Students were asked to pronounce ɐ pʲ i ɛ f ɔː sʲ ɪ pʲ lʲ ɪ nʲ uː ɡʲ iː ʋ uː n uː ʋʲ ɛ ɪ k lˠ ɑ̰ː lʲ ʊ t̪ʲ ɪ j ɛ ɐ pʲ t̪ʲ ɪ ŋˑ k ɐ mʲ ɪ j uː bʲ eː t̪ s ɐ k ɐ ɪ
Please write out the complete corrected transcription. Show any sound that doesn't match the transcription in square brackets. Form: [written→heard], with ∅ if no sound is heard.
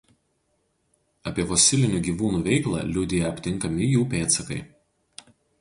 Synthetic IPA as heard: ɐ pʲ i ɛ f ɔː sʲ ɪ [pʲ→∅] lʲ ɪ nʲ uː ɡʲ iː ʋ uː n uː ʋʲ ɛ ɪ k lˠ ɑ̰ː lʲ ʊ [t̪ʲ→d̪ʲ] ɪ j ɛ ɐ pʲ t̪ʲ ɪ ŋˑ k ɐ mʲ ɪ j uː [bʲ→pʲ] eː t̪ s ɐ k ɐ ɪ